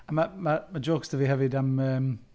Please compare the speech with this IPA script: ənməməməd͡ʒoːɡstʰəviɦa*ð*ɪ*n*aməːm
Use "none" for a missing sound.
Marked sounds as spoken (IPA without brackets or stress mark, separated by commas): v, d